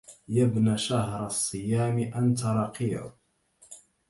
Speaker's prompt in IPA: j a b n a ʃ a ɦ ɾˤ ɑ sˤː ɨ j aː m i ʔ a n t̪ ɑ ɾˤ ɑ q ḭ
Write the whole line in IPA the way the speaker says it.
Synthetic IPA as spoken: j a b n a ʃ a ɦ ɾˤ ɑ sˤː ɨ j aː m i ʔ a n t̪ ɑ ɾˤ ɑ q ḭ